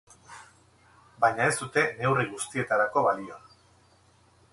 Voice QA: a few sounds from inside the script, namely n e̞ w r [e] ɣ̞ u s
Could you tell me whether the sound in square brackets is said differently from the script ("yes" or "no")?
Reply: yes